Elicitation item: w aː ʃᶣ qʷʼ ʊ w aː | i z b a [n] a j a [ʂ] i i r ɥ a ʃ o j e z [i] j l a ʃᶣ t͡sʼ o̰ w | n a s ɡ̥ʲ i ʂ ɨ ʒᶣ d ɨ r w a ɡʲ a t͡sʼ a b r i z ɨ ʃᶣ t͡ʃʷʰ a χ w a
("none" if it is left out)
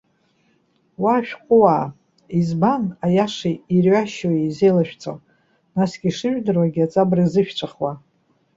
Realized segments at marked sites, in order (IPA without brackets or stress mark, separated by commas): n, ʂ, e